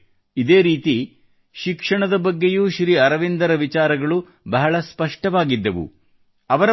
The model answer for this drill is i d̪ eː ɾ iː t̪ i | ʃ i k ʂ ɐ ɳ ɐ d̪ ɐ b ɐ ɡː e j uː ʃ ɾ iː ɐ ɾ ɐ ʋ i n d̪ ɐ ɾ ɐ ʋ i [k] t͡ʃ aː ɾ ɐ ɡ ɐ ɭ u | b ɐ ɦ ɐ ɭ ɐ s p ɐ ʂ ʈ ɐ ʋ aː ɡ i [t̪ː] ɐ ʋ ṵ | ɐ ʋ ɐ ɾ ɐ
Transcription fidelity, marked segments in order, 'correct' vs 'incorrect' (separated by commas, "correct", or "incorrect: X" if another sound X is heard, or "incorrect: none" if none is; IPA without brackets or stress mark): incorrect: none, incorrect: d̪ː